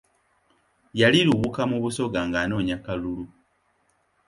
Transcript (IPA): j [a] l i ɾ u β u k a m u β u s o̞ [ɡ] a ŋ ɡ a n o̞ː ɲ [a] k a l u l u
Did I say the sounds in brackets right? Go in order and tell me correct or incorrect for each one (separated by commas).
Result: correct, correct, correct